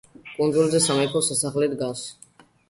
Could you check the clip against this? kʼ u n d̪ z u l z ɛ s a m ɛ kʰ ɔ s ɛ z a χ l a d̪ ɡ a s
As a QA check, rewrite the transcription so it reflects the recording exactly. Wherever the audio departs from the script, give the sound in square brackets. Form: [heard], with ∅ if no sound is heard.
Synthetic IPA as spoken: kʼ u n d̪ z u l z ɛ s a m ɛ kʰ ɔ s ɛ [s] a χ l [i] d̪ ɡ a s